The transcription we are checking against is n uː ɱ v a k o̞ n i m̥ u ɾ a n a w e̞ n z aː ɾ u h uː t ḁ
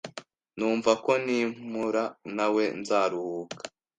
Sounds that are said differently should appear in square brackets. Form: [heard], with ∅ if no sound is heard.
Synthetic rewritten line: n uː ɱ v a k o̞ n i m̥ u ɾ a n a w e̞ n z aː ɾ u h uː [k] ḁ